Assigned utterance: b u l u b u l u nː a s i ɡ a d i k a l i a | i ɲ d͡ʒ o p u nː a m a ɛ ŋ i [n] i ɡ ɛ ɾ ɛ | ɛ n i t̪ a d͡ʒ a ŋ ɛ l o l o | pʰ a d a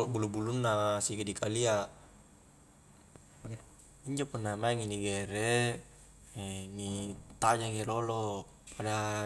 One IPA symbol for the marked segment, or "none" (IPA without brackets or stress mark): n